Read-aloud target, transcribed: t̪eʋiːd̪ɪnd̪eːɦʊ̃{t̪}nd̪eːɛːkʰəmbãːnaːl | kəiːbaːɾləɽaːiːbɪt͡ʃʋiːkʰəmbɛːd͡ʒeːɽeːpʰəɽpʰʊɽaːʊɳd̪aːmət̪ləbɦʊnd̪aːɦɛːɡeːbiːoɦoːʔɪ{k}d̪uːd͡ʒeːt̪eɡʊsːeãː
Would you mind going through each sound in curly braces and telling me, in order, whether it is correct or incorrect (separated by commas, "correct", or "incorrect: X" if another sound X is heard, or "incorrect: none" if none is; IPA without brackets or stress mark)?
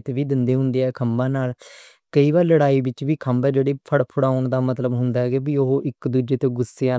incorrect: none, correct